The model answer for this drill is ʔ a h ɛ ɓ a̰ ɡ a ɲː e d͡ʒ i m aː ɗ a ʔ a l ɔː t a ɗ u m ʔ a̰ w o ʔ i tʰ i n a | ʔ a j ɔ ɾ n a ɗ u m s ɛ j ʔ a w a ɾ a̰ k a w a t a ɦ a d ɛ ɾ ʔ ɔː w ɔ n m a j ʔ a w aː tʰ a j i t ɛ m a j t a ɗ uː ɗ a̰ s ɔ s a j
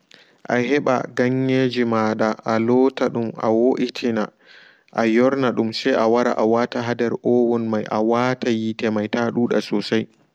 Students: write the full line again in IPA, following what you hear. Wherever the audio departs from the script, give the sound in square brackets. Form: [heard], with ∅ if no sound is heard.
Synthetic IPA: ʔ a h ɛ ɓ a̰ ɡ a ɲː e d͡ʒ i m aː ɗ a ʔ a l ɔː t a ɗ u m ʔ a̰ w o ʔ i tʰ i n a | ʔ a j ɔ ɾ n a ɗ u m s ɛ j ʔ a w a ɾ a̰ [ʔ] a w a t a ɦ a d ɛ ɾ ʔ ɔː w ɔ n m a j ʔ a w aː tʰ a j i t ɛ m a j t a ɗ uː ɗ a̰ s ɔ s a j